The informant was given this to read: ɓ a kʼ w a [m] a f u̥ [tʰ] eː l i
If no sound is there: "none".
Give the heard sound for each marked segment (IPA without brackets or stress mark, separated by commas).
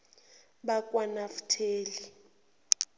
n, tʰ